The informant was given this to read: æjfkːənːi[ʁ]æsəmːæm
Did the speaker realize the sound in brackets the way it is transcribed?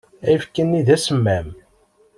no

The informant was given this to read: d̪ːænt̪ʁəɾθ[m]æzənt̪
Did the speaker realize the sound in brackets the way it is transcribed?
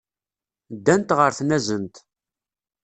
no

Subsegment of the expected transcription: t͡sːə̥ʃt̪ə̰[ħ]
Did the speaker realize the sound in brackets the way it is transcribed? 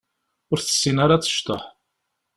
yes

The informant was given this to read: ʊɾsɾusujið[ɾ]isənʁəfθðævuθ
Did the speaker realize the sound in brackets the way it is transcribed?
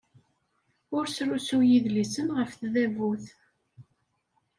no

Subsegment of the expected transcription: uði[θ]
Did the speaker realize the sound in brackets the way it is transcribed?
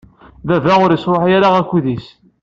no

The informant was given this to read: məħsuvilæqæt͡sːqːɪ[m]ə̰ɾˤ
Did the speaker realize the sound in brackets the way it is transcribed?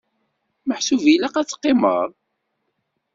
yes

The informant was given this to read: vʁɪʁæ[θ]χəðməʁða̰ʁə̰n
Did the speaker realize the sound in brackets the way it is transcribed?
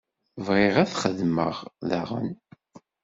yes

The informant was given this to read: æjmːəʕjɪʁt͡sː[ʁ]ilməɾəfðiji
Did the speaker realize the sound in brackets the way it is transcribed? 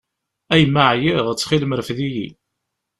no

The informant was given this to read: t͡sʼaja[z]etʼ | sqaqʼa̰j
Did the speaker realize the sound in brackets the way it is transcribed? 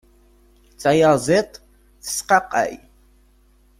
yes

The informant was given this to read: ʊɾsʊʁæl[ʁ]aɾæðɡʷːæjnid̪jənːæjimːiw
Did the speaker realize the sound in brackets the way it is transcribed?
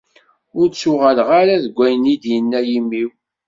yes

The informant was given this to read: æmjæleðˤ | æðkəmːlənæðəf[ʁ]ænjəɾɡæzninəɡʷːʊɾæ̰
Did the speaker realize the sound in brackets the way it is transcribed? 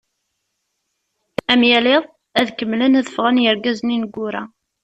yes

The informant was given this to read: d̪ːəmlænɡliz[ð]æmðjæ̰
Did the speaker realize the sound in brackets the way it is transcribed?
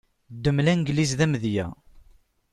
yes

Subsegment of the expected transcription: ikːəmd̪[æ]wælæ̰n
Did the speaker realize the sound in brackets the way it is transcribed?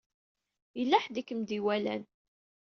no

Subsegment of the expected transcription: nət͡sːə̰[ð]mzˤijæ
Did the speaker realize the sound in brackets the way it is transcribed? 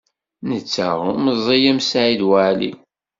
no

